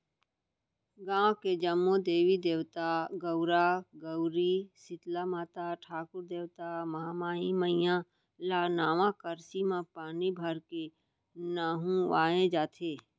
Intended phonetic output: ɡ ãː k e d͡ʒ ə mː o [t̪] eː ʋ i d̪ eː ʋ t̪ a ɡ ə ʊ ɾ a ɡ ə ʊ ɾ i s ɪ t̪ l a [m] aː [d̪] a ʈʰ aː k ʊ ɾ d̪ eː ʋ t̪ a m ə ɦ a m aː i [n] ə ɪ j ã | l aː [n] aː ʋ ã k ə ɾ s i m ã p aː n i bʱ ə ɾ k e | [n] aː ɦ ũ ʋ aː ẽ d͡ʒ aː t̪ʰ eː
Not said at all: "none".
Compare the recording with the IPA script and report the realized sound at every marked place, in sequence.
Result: d̪, m, t̪, m, n, n

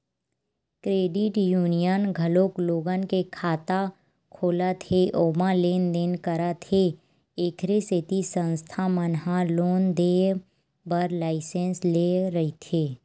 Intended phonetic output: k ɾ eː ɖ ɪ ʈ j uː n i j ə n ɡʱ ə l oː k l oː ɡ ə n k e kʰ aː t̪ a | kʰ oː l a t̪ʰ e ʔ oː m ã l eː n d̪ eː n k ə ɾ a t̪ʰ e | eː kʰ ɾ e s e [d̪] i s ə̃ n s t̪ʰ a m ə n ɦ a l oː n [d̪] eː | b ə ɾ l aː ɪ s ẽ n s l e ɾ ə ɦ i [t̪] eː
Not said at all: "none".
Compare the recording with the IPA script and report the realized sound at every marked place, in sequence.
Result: t̪, d̪, t̪ʰ

